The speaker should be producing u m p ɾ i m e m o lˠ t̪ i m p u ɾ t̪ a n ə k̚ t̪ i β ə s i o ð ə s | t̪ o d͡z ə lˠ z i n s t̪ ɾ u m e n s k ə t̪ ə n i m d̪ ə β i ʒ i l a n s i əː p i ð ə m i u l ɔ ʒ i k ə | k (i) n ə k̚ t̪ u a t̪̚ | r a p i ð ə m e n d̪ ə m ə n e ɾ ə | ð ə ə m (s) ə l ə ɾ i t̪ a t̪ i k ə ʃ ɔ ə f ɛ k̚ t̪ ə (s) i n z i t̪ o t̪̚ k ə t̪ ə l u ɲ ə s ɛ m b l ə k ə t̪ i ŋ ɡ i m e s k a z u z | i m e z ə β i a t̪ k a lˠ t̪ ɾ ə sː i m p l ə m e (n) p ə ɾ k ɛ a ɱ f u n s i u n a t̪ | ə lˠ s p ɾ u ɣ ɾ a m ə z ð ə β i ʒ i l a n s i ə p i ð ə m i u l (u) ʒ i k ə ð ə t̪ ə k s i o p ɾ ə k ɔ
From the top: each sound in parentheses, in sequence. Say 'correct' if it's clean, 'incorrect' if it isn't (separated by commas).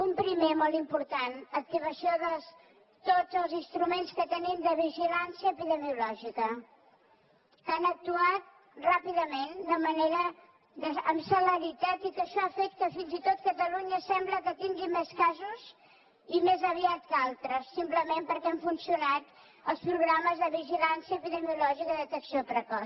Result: incorrect, correct, incorrect, incorrect, incorrect